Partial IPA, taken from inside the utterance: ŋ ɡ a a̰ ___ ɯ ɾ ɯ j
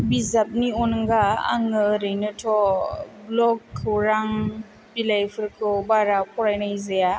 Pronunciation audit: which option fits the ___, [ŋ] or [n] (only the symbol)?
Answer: ŋ